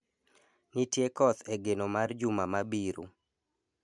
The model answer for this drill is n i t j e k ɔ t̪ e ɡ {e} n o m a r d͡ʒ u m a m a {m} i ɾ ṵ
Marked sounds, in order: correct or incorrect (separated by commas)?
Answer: correct, incorrect